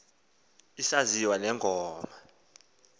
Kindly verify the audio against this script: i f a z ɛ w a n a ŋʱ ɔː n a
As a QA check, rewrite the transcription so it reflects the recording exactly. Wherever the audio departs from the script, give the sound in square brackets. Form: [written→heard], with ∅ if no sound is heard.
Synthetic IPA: i [f→s] a z [ɛ→i] w a n [a→ɛ] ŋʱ ɔː [n→m] a